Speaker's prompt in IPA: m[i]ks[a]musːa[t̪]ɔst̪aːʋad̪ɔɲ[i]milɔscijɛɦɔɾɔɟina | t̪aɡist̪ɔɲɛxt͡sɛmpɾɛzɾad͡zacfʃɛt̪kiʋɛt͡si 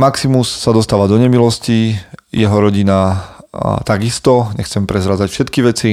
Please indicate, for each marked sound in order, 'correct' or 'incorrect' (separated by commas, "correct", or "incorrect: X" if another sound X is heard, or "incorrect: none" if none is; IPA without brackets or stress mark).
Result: incorrect: a, incorrect: i, incorrect: d̪, incorrect: ɛ